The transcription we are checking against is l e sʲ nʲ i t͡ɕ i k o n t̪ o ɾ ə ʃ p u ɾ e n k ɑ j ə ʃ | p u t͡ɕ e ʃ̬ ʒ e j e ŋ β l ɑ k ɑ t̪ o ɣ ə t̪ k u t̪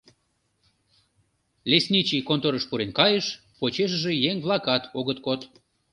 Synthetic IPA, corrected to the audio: l e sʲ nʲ i t͡ɕ i k o n t̪ o ɾ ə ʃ p u ɾ e n k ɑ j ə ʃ | p o t͡ɕ e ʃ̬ ʒ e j e ŋ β l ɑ k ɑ t̪ o ɣ ə t̪ k o t̪